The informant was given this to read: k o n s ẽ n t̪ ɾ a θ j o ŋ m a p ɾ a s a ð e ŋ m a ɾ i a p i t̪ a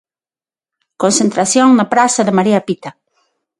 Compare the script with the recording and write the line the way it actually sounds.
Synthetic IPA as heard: k o n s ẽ n t̪ ɾ a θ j o ŋ n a p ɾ a s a ð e m a ɾ i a p i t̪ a